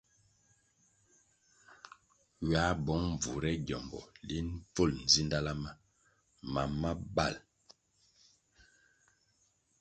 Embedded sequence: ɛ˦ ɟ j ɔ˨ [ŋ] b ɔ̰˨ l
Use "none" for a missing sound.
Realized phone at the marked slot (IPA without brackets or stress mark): m